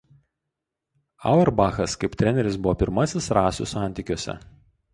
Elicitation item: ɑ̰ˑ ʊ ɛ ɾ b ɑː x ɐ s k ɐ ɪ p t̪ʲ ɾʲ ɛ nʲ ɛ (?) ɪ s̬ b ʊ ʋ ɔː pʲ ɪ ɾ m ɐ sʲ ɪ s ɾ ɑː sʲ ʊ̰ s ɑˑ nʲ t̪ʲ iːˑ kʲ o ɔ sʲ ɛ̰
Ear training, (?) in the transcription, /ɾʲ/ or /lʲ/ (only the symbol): ɾʲ